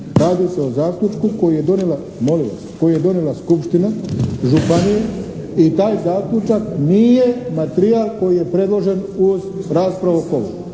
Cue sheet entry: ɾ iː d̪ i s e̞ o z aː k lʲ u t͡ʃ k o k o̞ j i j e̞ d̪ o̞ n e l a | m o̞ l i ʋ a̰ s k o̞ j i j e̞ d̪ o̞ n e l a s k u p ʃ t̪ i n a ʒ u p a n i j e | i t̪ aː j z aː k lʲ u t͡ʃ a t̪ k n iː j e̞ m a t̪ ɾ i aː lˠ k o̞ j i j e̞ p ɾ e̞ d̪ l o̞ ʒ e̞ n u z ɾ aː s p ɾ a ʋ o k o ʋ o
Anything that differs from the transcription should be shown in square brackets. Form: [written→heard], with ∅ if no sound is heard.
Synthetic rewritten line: ɾ [iː→aː] d̪ i s e̞ o z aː k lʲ u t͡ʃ k [o→u] k o̞ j i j e̞ d̪ o̞ n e l a | m o̞ l i ʋ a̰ s k o̞ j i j e̞ d̪ o̞ n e l a s k u p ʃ t̪ i n a ʒ u p a n i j e | i t̪ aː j z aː k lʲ u t͡ʃ a [t̪→∅] k n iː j e̞ m a t̪ ɾ i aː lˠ k o̞ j i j e̞ p ɾ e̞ d̪ l o̞ ʒ e̞ n u z ɾ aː s p ɾ a ʋ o k o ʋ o